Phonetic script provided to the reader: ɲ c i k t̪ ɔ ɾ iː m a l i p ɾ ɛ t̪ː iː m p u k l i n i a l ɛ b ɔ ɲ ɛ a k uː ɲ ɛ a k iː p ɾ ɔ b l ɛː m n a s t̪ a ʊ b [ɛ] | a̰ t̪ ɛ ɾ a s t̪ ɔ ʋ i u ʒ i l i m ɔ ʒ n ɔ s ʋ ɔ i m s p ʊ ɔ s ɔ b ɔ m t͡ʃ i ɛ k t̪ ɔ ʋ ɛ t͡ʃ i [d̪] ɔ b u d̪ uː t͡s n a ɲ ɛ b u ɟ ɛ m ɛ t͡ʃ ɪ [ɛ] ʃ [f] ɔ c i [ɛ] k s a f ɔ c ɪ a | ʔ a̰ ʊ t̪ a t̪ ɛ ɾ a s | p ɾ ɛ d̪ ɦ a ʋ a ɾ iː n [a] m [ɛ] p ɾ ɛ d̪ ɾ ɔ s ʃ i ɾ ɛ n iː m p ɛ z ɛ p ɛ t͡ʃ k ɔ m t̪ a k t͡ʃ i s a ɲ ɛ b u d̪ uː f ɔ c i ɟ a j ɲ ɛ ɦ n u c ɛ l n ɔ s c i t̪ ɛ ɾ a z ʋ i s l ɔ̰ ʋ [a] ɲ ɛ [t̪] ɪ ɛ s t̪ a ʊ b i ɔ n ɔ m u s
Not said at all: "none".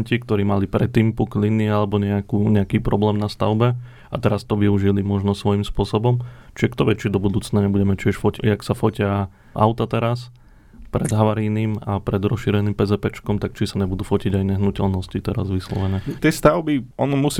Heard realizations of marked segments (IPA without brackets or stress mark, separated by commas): ɛ, d̪, ɛ, f, a, i, a, ɛ, t̪